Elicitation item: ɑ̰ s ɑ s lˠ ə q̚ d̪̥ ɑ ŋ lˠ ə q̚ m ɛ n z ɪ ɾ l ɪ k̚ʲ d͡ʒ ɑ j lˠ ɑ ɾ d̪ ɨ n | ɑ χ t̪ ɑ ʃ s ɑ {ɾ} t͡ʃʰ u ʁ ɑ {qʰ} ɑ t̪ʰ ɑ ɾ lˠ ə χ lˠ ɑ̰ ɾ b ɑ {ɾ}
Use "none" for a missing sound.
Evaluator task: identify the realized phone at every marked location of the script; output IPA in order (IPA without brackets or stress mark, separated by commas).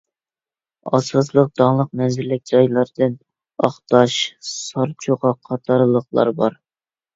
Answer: ɾ, qʰ, ɾ